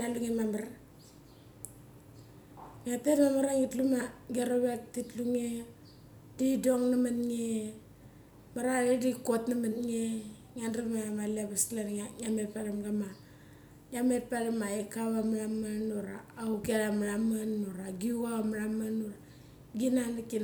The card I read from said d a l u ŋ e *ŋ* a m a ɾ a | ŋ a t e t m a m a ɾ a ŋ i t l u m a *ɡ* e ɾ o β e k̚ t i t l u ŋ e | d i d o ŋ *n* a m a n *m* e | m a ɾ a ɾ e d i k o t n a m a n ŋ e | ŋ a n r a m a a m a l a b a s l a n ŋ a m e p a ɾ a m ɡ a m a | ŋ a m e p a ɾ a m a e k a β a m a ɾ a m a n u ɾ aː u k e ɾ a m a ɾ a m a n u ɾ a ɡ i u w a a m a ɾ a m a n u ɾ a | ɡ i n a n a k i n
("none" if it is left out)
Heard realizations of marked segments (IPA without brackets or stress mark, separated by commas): m, ɡ, n, ŋ